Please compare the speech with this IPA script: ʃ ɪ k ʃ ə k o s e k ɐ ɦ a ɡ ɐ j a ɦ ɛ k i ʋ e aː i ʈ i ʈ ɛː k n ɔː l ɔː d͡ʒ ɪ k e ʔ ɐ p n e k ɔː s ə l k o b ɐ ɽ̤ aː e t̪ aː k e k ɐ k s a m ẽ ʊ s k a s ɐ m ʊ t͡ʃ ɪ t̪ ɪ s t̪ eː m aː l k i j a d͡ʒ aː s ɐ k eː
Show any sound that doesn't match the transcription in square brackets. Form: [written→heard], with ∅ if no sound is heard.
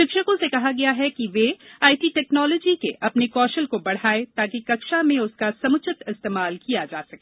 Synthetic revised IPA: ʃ ɪ k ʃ ə k [o→õ] s e k ɐ ɦ a ɡ ɐ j a ɦ ɛ k i ʋ e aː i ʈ i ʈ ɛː k n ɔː l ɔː d͡ʒ [ɪ→i] k e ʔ ɐ p n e k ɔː [s→ʃ] ə l k o b ɐ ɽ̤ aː e t̪ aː k [e→i] k ɐ k [s→ʃ] a m ẽ ʊ s k a s ɐ m ʊ t͡ʃ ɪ t̪ ɪ s t̪ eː m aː l k i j a d͡ʒ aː s ɐ k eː

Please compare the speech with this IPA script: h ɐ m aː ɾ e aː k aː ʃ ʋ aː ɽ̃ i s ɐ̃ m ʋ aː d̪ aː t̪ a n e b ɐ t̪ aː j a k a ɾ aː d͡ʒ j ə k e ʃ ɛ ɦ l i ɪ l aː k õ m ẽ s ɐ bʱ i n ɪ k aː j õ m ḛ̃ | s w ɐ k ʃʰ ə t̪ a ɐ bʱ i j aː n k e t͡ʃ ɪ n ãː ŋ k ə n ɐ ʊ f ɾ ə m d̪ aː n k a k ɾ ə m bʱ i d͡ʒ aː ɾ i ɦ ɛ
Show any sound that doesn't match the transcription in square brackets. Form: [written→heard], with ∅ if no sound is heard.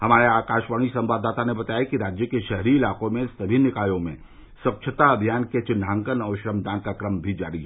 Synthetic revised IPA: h ɐ m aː ɾ e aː k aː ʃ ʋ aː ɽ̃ i s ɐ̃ m ʋ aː d̪ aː t̪ a n e b ɐ t̪ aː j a k [a→i] ɾ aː d͡ʒ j ə k e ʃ ɛ ɦ [l→ɾ] i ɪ l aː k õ m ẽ s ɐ bʱ i n ɪ k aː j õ m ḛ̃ | s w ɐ k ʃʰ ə t̪ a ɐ bʱ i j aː n k e t͡ʃ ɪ n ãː ŋ k ə n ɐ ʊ [f→ʃ] ɾ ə m d̪ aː n k a k ɾ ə m bʱ i d͡ʒ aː ɾ i ɦ ɛ

